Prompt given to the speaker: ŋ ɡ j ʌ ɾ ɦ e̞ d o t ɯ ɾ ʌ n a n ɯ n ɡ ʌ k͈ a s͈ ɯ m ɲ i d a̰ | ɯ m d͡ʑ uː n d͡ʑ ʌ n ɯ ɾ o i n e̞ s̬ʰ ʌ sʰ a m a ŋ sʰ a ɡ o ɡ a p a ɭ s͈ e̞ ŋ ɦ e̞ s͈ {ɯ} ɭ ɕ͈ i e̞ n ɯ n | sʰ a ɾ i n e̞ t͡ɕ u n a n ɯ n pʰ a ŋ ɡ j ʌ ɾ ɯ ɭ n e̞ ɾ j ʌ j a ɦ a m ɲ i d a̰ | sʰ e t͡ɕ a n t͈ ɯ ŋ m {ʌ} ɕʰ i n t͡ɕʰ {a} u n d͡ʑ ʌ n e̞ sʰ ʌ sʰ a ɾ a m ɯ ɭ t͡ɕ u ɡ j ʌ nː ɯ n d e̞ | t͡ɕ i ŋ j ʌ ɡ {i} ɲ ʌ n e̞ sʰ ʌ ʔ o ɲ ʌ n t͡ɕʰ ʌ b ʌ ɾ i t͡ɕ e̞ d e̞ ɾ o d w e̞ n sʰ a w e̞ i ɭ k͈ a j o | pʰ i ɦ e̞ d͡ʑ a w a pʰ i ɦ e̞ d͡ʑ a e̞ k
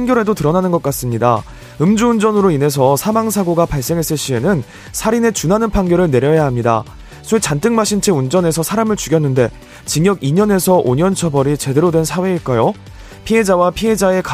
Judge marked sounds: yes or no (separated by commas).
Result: yes, no, no, yes